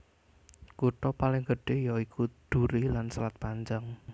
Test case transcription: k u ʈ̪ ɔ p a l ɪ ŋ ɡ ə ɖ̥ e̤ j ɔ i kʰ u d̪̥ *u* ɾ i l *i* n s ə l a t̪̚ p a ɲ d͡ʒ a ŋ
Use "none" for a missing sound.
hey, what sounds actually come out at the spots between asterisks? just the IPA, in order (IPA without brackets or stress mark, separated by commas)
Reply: u, a